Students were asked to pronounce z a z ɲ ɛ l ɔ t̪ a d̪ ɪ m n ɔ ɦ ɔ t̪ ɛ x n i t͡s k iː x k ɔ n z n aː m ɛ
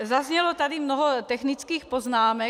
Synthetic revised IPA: z a z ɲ ɛ l ɔ t̪ a d̪ i m n ɔ ɦ ɔ t̪ ɛ x n i t͡s k iː x p ɔ z n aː m ɛ